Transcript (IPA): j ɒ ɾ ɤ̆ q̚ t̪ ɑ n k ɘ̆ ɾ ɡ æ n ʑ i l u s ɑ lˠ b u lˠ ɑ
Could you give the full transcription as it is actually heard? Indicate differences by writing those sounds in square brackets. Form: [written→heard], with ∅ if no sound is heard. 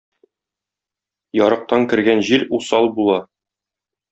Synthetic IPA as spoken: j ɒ ɾ ɤ̆ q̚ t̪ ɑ [n→ŋ] k ɘ̆ ɾ ɡ æ n ʑ i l u s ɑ lˠ b u lˠ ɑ